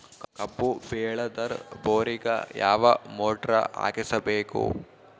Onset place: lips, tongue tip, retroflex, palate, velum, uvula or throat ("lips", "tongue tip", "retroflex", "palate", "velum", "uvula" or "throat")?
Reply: velum